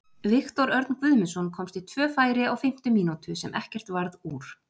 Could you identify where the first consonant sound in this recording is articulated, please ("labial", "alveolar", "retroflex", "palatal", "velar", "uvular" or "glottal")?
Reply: labial